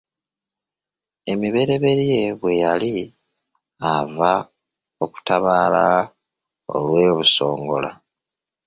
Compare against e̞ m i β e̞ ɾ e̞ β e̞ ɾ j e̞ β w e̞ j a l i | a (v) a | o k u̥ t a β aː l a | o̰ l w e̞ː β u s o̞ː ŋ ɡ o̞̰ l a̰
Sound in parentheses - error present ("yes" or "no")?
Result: no